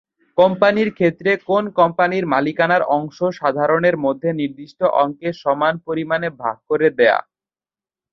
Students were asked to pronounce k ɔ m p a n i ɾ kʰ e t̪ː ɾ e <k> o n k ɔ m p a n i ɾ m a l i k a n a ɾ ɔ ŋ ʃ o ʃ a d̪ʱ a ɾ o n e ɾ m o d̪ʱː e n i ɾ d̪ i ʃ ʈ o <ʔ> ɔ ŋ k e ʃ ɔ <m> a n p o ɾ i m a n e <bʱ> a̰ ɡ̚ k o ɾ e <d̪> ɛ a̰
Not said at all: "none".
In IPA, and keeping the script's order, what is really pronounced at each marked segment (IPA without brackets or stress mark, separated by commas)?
k, ʔ, m, bʱ, d̪